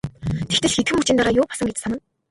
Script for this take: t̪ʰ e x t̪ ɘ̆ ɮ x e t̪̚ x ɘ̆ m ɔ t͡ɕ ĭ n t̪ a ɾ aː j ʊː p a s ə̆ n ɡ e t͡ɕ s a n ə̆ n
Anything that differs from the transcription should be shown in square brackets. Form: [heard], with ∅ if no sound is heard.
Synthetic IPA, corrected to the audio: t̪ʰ e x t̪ ɘ̆ ɮ x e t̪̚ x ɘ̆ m [u] t͡ɕ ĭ n t̪ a ɾ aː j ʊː p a s ə̆ [ŋ] ɡ e t͡ɕ s a n ə̆ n

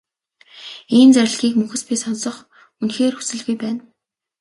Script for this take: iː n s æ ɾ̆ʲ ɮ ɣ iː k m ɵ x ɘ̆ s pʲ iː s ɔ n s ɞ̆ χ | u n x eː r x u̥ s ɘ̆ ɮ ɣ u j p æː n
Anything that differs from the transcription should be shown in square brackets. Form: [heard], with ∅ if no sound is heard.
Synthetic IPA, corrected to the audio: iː n [t͡s] æ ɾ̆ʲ ɮ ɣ iː k m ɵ x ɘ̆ s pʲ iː s ɔ n s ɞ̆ χ | u n x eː r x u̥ s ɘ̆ ɮ ɣ u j p æː n

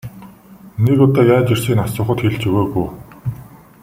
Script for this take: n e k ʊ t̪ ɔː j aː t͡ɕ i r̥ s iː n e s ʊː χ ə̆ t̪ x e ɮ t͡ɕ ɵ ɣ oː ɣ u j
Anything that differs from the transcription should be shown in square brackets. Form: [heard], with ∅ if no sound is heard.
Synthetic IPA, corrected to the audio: n e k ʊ t̪ ɔː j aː t͡ɕ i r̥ s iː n [a] s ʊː χ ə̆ t̪ x e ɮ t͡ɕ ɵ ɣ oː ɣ u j

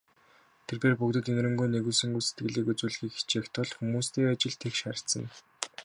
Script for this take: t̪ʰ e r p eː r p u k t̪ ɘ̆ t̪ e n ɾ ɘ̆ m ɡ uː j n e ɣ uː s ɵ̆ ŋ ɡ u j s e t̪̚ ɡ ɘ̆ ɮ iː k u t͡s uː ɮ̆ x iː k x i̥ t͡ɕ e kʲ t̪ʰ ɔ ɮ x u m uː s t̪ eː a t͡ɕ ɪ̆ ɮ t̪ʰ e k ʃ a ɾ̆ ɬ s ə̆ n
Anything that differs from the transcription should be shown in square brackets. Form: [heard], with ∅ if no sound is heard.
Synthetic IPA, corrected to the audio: t̪ʰ e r p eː r p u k t̪ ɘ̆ t̪ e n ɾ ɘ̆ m ɡ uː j n e ɣ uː s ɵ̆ ŋ ɡ u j s e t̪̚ ɡ ɘ̆ ɮ iː k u t͡s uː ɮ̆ x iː k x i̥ t͡ɕ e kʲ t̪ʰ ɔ ɮ x u m uː s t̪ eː a t͡ɕ ɪ̆ ɮ t̪ʰ e k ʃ a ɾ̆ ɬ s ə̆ n

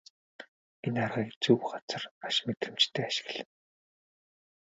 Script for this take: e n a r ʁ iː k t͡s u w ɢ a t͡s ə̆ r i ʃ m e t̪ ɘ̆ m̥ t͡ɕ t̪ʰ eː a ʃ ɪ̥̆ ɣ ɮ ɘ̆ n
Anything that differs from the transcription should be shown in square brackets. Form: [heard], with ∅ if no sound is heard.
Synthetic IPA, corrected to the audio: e n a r ʁ iː k t͡s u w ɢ a t͡s ə̆ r [a] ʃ m e t̪ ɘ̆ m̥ t͡ɕ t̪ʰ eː a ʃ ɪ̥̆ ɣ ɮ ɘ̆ n

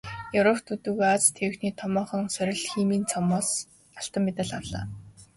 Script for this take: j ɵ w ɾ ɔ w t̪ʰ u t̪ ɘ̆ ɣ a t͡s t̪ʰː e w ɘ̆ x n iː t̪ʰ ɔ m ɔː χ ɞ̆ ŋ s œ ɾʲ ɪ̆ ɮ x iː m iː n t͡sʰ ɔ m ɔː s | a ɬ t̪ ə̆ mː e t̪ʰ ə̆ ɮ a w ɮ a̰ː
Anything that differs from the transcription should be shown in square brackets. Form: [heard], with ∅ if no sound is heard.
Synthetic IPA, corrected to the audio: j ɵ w ɾ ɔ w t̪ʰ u t̪ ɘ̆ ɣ a t͡s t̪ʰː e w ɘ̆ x n iː t̪ʰ ɔ m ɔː χ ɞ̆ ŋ s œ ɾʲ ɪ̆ ɮ x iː m iː n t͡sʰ ɔ m ɔː s | a ɬ t̪ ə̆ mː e [t̪] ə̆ ɮ a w ɮ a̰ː

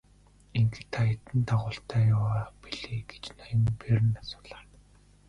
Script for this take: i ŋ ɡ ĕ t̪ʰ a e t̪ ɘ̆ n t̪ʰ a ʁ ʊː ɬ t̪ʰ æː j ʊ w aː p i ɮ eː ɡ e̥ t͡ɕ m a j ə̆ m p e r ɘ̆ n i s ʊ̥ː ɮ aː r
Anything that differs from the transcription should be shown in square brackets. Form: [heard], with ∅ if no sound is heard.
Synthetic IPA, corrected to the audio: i ŋ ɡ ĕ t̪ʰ a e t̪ ɘ̆ n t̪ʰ a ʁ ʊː ɬ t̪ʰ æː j ʊ w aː p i ɮ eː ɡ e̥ t͡ɕ [n] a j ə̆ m p e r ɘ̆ n [a] s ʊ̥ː ɮ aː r

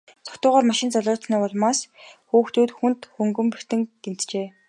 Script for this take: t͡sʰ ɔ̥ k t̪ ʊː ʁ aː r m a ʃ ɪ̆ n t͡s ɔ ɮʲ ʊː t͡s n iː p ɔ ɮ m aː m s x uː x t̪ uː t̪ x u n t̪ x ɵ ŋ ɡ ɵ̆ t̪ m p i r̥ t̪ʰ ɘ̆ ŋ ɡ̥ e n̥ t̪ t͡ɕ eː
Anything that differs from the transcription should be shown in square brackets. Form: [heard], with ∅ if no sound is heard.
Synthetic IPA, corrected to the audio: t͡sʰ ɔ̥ k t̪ ʊː ʁ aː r m a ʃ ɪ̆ n t͡s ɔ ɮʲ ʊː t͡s n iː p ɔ ɮ m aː [∅] s x uː x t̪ uː t̪ x u n t̪ x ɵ ŋ ɡ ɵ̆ [∅] m p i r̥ [t̪] ɘ̆ ŋ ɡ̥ e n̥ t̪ t͡ɕ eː

